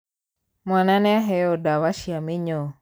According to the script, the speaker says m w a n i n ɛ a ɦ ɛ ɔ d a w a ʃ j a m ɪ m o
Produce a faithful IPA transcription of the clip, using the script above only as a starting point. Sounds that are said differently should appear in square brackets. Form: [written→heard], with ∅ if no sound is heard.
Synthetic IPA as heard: m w a n [i→a] n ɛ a ɦ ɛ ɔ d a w a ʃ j a m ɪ [m→ɲ] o

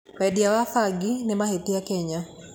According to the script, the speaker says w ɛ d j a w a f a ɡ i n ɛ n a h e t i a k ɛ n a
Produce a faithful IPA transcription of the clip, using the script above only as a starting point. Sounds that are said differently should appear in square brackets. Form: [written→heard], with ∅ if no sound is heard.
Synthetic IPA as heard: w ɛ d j a w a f a ɡ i n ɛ [n→m] a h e t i a k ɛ [n→ɲ] a

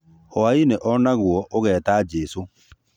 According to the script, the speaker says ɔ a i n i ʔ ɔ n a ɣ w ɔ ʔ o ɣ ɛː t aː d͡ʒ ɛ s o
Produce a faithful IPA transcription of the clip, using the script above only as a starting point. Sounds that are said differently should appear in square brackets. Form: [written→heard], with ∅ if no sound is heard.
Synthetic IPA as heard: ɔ a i n [i→e] ʔ ɔ n a ɣ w ɔ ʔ o ɣ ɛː t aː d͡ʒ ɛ s o

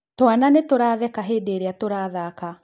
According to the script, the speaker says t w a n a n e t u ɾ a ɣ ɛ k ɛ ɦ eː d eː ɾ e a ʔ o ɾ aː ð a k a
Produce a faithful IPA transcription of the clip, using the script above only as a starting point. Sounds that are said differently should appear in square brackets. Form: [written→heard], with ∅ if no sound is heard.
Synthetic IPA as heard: t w a n a n e t [u→o] ɾ a [ɣ→ð] ɛ k [ɛ→a] ɦ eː d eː ɾ e a [ʔ→t] o ɾ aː ð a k a

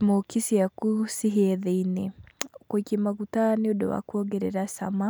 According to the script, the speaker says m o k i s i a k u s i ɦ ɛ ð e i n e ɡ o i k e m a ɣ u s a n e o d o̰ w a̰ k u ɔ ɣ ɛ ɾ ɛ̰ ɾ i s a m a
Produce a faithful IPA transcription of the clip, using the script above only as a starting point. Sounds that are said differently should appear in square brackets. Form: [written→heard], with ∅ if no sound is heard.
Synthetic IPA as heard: m o k i s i a k u s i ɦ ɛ ð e i n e [ɡ→k] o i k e m a ɣ u [s→t] a n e o d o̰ w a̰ k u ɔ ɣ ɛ ɾ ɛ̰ ɾ [i→a] s a m a

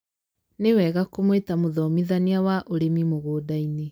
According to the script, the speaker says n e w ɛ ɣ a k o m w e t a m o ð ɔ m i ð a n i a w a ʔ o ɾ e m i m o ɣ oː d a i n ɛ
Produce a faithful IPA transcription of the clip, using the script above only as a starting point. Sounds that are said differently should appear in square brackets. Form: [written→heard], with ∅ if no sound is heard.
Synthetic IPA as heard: n e w ɛ ɣ a k o m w e t a m o ð ɔ m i ð a n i a w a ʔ o ɾ e m i m o ɣ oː d a i n [ɛ→e]

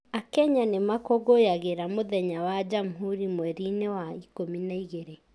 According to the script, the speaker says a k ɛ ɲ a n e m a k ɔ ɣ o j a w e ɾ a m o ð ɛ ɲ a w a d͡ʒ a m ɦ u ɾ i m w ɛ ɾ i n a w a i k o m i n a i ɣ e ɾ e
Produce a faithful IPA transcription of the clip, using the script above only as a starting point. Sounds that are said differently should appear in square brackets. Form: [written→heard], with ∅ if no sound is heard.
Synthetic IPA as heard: a k ɛ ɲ a n e m a k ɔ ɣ o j a [w→ɣ] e ɾ a m o ð ɛ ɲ a w a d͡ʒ a m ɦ u ɾ i m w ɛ ɾ i n [a→e] w a i k o m i n a i ɣ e ɾ e

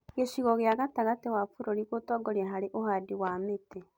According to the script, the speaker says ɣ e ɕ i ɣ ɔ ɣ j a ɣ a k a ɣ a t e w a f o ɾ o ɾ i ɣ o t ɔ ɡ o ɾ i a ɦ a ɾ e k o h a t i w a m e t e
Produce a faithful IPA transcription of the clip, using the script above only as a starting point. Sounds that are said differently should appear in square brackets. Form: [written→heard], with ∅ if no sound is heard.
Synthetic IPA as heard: ɣ e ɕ i ɣ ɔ ɣ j a ɣ a [k→t] a ɣ a t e w a f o ɾ o ɾ i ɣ o t ɔ ɡ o ɾ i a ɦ a ɾ e [k→ʔ] o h a [t→d] i w a m e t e

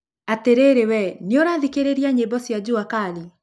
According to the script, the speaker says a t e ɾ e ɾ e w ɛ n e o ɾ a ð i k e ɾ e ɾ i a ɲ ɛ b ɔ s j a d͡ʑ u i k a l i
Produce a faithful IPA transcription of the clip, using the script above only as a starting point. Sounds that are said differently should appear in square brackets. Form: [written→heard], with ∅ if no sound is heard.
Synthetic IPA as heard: a t e ɾ e ɾ e w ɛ n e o ɾ a ð i k e ɾ e ɾ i a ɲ [ɛ→e] b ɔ s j a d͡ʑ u [i→a] k a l i

